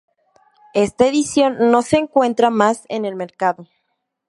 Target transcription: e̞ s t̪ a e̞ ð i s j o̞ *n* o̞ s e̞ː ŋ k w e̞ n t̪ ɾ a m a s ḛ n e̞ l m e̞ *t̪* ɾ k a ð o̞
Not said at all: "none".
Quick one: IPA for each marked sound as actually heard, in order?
nː, none

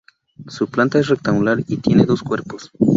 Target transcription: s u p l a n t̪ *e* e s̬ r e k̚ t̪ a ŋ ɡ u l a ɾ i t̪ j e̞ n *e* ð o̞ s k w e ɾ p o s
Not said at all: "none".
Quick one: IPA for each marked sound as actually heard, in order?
a, e

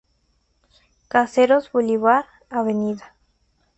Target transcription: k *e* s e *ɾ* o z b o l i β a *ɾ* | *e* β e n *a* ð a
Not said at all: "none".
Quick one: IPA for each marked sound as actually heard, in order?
a, ɾ, ɾ, a, i

